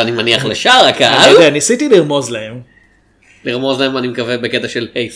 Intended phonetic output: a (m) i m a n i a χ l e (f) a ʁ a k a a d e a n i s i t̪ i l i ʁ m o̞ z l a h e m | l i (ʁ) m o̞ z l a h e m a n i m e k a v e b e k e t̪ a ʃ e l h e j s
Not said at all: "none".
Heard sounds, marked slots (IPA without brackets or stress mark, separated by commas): n, ʃ, ʁ